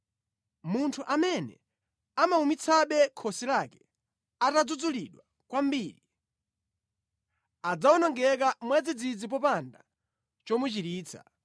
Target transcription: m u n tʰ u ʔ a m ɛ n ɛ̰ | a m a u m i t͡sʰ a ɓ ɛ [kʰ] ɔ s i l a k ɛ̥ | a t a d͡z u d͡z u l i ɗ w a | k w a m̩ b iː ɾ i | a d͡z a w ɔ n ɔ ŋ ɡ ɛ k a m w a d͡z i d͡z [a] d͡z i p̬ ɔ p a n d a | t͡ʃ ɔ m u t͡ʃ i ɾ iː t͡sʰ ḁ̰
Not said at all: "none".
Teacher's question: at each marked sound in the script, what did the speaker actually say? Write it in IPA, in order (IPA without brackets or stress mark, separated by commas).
kʰ, i